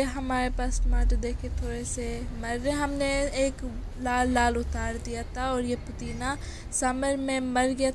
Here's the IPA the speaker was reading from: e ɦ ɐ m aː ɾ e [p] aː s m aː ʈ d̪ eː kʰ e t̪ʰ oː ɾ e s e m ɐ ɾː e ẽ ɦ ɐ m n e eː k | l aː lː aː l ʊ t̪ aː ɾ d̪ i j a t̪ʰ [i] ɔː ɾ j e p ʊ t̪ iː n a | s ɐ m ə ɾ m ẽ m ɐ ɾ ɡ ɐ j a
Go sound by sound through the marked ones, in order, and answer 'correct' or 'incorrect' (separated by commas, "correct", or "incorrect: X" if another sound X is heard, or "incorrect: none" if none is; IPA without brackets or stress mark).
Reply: correct, incorrect: a